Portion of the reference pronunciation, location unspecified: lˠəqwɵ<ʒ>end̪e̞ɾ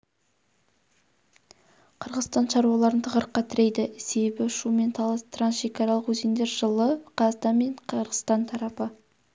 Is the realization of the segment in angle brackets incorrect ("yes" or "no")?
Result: yes